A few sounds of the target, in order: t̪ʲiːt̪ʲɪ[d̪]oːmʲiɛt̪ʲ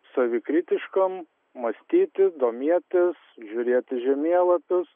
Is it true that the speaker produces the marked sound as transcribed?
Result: yes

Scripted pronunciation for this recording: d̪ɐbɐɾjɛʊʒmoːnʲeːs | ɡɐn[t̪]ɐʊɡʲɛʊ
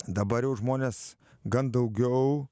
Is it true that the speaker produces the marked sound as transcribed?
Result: no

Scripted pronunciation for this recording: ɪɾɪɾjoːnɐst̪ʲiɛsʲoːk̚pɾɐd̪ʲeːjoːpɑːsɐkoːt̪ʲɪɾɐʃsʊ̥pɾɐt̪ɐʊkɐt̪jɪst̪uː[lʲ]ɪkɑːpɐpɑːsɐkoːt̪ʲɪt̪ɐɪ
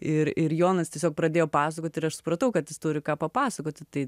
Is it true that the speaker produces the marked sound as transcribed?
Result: no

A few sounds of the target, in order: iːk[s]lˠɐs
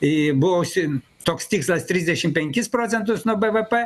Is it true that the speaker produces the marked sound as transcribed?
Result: yes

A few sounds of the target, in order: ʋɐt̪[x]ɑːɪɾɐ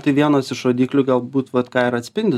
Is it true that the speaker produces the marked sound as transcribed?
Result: no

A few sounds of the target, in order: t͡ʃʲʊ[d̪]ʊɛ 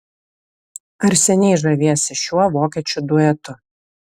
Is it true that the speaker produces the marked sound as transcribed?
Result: yes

